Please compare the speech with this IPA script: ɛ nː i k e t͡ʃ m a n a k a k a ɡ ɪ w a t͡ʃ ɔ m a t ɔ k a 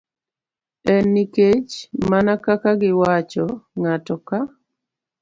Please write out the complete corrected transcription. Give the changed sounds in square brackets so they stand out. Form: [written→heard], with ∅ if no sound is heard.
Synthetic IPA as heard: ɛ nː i k e t͡ʃ m a n a k a k a ɡ ɪ w a t͡ʃ ɔ [m→ŋ] a t ɔ k a